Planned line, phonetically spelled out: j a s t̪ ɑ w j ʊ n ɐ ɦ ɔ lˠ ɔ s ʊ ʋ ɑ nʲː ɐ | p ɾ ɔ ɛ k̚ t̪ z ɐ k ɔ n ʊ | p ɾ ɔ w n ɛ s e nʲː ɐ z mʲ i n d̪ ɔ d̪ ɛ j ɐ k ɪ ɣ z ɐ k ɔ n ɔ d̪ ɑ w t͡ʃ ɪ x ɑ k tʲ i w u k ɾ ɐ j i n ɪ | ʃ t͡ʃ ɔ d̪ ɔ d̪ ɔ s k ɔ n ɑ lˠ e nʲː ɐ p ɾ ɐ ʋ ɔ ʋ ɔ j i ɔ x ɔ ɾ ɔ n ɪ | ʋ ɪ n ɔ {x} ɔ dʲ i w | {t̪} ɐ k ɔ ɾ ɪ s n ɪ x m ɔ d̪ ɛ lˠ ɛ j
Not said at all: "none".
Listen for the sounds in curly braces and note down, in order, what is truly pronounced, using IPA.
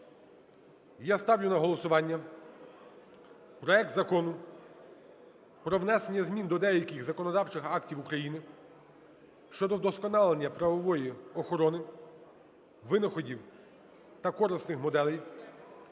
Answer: x, t̪

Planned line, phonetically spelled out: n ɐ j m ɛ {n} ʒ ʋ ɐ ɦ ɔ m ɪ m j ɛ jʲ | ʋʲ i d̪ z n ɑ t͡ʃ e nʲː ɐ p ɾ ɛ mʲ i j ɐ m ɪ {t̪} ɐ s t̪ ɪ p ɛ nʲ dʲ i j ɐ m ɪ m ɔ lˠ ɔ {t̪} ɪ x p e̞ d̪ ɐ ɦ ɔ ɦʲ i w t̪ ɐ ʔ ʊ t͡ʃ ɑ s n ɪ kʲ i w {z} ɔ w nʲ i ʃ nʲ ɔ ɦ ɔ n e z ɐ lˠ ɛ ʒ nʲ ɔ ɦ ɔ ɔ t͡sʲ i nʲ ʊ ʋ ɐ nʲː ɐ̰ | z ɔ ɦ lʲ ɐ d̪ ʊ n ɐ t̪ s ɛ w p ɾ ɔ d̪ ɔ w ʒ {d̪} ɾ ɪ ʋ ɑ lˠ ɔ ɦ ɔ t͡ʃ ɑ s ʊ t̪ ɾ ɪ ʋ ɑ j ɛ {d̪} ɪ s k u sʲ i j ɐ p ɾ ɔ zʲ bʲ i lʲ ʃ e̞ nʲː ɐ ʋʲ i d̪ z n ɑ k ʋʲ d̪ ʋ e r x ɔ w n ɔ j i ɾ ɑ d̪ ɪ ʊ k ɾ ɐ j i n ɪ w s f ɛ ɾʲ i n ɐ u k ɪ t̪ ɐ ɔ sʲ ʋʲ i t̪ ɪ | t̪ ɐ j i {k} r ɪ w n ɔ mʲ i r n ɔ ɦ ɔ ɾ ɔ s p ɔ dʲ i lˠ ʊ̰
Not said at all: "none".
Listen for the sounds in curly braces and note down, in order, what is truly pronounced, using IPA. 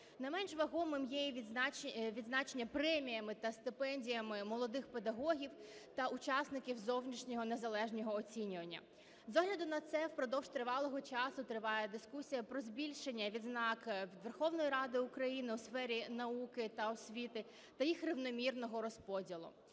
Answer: n, t̪, d̪, z, t̪, d̪, x

